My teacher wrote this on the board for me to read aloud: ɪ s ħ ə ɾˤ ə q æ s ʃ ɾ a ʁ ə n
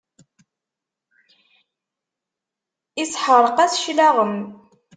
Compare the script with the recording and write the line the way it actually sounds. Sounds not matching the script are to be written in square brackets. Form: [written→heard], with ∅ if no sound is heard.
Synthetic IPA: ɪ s ħ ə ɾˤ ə q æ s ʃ [ɾ→l] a ʁ ə [n→m]